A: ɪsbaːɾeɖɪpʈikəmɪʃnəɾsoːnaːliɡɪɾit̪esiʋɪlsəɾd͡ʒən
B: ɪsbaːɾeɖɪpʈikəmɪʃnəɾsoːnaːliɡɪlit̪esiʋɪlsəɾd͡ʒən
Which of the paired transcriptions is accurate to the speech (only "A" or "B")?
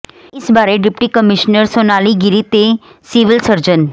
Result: A